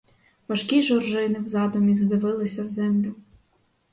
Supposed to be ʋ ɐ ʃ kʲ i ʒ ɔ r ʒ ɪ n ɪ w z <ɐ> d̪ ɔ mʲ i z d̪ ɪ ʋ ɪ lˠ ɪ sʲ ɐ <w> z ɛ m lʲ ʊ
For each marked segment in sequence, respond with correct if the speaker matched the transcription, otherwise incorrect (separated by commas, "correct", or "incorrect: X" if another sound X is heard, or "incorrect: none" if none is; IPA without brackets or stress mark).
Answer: incorrect: ɑ, correct